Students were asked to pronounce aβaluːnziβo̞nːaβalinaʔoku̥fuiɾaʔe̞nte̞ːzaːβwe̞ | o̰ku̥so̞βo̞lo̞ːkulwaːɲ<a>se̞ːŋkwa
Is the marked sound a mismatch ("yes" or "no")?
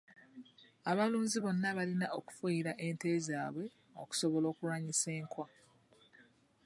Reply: yes